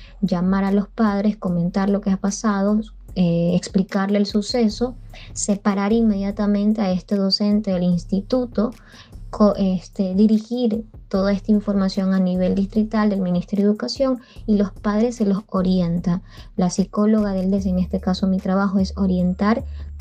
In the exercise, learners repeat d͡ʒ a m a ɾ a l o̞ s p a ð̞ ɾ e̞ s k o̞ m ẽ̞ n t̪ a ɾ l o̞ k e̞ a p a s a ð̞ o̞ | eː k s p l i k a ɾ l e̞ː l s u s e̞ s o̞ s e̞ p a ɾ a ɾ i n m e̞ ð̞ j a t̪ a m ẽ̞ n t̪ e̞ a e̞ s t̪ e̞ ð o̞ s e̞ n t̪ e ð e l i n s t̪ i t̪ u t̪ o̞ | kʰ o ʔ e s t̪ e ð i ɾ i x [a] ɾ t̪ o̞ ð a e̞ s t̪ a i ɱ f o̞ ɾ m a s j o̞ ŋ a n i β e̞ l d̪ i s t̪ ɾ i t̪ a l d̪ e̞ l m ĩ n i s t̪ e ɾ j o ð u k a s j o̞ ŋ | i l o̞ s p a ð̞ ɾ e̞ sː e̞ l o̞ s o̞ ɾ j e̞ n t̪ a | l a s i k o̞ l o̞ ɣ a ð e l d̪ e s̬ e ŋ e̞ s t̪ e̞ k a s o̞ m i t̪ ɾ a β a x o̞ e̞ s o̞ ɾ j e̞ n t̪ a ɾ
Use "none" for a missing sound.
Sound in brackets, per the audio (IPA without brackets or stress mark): i